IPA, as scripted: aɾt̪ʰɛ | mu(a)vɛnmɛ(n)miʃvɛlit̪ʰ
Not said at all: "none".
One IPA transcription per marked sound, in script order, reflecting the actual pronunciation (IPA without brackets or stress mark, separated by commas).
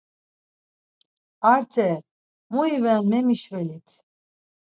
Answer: i, none